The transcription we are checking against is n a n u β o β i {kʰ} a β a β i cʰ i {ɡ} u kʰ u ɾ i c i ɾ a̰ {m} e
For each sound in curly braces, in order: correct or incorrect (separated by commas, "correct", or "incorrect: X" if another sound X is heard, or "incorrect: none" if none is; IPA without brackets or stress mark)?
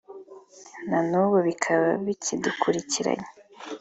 correct, incorrect: d, incorrect: ɲ